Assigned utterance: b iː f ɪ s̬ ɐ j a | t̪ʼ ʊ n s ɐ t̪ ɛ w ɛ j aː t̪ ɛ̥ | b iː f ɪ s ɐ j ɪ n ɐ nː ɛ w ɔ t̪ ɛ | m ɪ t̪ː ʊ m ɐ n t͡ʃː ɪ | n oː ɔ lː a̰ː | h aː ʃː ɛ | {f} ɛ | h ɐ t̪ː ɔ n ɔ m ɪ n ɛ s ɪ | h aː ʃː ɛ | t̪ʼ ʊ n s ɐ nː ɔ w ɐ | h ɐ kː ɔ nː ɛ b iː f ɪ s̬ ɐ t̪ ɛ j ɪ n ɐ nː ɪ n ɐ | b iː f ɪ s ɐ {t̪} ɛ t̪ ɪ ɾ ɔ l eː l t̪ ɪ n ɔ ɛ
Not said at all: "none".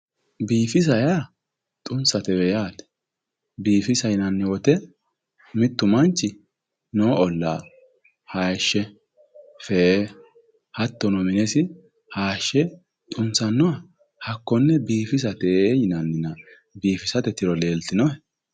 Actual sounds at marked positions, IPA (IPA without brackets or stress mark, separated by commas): f, t̪